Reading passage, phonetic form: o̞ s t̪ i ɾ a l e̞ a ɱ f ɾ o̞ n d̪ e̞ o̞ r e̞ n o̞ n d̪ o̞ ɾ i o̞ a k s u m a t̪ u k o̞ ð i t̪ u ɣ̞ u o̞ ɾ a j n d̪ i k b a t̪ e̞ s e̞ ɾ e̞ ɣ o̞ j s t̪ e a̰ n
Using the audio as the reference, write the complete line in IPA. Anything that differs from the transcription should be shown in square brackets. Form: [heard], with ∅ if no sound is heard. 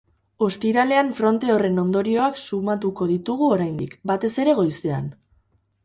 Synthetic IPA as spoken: o̞ s t̪ i ɾ a l e̞ a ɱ f ɾ o̞ n [t̪] e̞ o̞ r e̞ n o̞ n d̪ o̞ ɾ i o̞ a k s u m a t̪ u k o̞ ð i t̪ u ɣ̞ u o̞ ɾ a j n d̪ i k b a t̪ e̞ s e̞ ɾ e̞ ɣ o̞ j s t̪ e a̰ n